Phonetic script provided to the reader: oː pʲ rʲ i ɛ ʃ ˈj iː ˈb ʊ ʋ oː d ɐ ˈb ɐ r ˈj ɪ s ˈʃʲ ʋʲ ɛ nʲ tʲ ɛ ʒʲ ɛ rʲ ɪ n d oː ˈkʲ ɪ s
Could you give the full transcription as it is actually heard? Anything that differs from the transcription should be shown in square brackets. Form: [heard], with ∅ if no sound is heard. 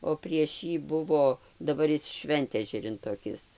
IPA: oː pʲ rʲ i ɛ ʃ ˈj iː ˈb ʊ ʋ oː d ɐ ˈb ɐ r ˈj ɪ s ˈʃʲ ʋʲ ɛ nʲ tʲ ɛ ʒʲ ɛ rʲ ɪ n [t] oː ˈkʲ ɪ s